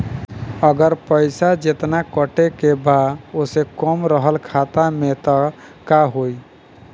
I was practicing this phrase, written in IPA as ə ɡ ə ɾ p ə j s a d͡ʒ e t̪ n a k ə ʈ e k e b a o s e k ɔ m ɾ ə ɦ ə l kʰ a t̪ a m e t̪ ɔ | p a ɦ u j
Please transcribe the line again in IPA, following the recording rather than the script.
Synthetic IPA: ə ɡ ə ɾ p ə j s a d͡ʒ e t̪ n a k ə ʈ e k e b a o s e k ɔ m ɾ ə ɦ ə l kʰ a t̪ a m e t̪ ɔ | k a ɦ o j